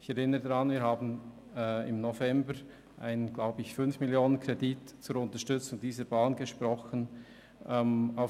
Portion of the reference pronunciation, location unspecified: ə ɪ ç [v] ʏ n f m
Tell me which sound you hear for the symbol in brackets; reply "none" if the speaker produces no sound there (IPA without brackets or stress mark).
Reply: f